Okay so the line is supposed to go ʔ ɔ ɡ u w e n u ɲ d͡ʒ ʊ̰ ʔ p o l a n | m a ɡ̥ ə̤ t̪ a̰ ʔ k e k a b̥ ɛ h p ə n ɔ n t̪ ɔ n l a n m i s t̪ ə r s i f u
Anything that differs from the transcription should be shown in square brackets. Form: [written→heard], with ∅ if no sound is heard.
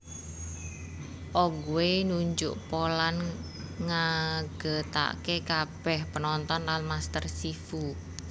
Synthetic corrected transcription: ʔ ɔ ɡ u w e n u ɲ d͡ʒ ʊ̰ ʔ p o l a n | [m→ŋ] a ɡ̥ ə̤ t̪ a̰ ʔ k e k a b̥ ɛ h p ə n ɔ n t̪ ɔ n l a n m [i→a] s t̪ ə r s i f u